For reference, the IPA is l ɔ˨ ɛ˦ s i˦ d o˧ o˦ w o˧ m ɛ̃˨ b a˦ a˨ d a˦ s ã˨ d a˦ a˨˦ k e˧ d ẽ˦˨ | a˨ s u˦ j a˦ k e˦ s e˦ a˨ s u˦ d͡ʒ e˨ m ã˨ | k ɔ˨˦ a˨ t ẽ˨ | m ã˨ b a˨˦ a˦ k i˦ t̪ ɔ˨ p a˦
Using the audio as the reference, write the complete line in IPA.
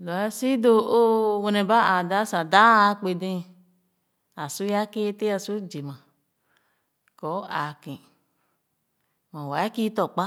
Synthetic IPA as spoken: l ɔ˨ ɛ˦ s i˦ d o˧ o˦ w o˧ n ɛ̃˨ b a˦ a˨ d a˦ s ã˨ d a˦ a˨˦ k͡p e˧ d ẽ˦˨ | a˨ s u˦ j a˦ k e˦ t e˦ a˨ s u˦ d͡ʒ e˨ m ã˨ | k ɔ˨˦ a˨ k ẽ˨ | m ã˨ w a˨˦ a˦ k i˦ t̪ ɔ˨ k͡p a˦